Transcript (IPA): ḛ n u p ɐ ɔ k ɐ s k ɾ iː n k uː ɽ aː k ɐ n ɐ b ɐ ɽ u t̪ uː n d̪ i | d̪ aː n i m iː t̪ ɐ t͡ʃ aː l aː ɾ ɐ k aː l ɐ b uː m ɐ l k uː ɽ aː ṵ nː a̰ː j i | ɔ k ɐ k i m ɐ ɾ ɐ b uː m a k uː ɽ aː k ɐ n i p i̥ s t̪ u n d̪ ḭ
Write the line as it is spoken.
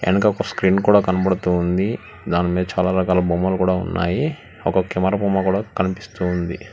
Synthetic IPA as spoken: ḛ n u k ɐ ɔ k ɐ s k ɾ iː n k uː ɽ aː k ɐ n ɐ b ɐ ɽ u t̪ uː n d̪ i | d̪ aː n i m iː d̪ ɐ t͡ʃ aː l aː ɾ ɐ k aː l ɐ b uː m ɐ l k uː ɽ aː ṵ nː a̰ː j i | ɔ k ɐ k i m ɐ ɾ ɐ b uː m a k uː ɽ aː k ɐ n i p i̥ s t̪ u n d̪ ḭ